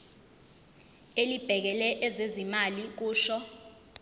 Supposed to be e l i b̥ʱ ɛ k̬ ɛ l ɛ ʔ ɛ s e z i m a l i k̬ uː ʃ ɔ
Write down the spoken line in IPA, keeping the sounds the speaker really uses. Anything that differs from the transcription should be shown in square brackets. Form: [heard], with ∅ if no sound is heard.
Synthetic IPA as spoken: e l i b̥ʱ ɛ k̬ ɛ l ɛ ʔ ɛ [z] e z i m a l i k̬ uː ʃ ɔ